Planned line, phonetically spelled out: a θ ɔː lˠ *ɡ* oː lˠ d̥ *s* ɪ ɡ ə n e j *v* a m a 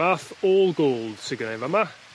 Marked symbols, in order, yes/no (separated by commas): yes, yes, yes